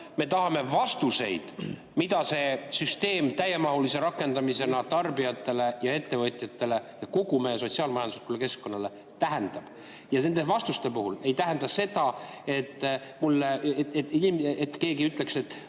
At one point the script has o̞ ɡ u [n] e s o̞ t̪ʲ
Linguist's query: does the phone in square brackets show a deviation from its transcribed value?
yes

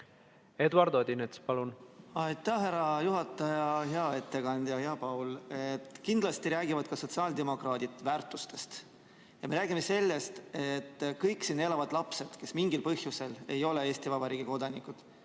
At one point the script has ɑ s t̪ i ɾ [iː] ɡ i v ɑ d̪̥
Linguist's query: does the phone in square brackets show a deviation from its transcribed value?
yes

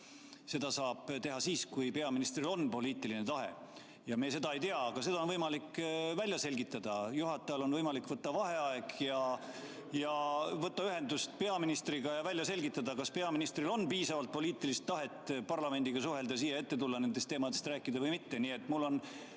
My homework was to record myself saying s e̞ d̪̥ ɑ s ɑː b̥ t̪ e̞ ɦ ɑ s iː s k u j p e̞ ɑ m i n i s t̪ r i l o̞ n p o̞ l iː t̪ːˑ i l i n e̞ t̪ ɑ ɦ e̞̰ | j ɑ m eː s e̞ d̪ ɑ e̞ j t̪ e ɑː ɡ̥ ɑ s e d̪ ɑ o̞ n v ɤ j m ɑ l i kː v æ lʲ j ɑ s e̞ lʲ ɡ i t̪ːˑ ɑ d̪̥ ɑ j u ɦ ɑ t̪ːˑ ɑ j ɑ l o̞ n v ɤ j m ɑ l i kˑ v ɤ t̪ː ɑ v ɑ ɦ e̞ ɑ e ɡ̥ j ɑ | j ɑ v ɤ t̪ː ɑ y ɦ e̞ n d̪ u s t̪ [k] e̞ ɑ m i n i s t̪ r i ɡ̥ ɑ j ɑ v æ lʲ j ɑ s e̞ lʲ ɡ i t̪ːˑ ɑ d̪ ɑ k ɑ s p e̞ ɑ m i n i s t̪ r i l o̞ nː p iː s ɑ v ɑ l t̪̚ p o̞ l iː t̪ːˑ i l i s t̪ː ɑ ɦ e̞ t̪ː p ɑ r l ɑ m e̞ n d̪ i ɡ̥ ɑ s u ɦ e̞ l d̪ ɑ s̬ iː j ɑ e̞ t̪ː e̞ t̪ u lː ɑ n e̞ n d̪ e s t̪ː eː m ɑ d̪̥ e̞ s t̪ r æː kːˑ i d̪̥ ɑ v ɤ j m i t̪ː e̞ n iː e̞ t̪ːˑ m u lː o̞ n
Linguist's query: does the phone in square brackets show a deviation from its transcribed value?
yes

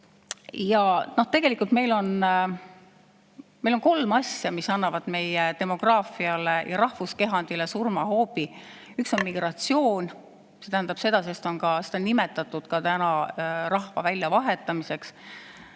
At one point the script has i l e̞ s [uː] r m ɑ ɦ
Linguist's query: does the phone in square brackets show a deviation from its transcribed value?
yes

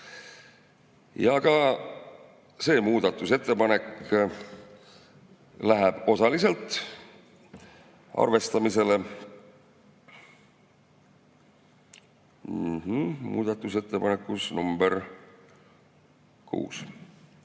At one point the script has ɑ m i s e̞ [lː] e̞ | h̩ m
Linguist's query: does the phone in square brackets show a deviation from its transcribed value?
yes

